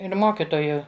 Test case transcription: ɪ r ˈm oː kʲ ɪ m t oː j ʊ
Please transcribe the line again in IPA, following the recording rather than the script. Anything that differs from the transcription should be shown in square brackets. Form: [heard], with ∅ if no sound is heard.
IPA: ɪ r ˈm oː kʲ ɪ [∅] t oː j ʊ

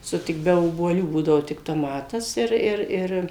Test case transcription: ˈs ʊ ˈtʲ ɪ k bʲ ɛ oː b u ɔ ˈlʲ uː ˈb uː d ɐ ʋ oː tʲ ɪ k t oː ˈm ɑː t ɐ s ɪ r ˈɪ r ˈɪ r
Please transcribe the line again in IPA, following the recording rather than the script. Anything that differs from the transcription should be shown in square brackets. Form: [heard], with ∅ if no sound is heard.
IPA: ˈs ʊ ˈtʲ ɪ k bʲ ɛ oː b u ɔ ˈlʲ uː ˈb uː d ɐ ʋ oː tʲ ɪ k t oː ˈm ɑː t ɐ s ɪ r ˈɪ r ˈɪ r

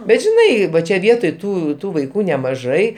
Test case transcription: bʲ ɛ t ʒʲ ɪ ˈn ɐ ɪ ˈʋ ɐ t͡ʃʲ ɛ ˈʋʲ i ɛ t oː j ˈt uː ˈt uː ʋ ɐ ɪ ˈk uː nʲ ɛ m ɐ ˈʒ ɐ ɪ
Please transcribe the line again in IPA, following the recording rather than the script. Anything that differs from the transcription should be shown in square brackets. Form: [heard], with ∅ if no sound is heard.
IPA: bʲ ɛ t ʒʲ ɪ ˈn ɐ ɪ ˈʋ ɐ t͡ʃʲ ɛ ˈʋʲ i ɛ t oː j ˈt uː ˈt uː ʋ ɐ ɪ ˈk uː nʲ ɛ m ɐ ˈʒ ɐ ɪ

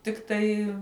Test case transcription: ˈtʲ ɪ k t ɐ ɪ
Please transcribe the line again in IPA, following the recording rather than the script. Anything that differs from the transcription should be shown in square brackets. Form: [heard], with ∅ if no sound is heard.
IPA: ˈtʲ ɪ k t ɐ ɪ

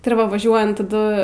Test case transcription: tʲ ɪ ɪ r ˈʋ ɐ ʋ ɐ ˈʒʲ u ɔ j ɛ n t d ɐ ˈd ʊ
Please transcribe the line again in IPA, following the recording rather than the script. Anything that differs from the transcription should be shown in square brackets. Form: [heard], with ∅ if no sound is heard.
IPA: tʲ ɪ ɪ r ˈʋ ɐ ʋ ɐ ˈʒʲ u ɔ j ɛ n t [t] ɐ ˈd ʊ

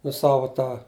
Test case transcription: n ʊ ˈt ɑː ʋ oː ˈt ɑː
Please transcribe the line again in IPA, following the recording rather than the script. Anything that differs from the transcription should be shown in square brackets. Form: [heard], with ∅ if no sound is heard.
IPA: n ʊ [ˈs] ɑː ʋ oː ˈt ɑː

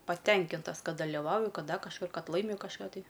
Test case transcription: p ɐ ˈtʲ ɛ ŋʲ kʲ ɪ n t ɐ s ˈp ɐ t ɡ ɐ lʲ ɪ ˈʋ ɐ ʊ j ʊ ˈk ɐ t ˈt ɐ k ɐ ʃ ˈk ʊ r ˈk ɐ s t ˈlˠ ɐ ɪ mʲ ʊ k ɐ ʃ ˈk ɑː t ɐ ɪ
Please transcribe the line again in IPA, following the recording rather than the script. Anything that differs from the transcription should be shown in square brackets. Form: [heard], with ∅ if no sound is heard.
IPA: p ɐ ˈtʲ ɛ ŋʲ kʲ ɪ n t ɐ s [ˈk] ɐ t [d] ɐ lʲ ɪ ˈʋ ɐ ʊ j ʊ ˈk ɐ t [ˈd] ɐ k ɐ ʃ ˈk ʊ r ˈk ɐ [∅] t ˈlˠ ɐ ɪ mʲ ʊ k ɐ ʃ ˈk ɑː t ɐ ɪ

